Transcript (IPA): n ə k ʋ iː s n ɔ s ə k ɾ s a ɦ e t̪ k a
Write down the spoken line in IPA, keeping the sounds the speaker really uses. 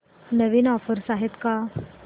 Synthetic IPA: n ə ʋ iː n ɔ f ə ɾ s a ɦ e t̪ k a